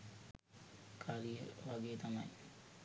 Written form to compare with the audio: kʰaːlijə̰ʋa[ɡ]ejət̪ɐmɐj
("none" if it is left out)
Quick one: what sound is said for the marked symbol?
ɡ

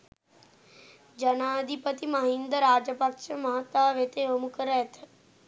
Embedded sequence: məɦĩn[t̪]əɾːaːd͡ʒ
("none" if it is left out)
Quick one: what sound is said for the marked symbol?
d̪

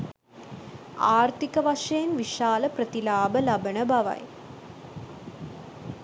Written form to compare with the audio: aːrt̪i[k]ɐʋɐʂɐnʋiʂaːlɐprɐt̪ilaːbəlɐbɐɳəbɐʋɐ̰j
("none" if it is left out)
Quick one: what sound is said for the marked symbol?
k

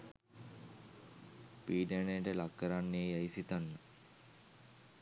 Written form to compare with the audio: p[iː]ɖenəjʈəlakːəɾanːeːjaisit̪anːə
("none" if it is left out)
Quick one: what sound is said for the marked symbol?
iː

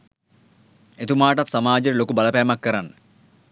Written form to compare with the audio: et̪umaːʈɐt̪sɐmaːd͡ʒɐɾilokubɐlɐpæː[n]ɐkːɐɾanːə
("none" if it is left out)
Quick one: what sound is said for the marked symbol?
m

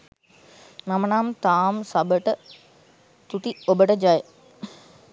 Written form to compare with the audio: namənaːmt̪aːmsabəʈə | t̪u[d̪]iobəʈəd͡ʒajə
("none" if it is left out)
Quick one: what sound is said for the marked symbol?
t̪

